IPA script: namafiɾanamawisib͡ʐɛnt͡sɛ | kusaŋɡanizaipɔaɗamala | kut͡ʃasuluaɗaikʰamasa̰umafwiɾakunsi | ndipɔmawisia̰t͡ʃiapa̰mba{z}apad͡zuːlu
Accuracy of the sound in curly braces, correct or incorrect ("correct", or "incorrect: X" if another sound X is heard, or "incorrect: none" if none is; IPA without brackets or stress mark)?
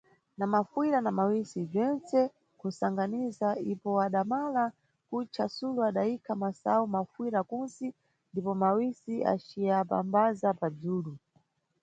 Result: correct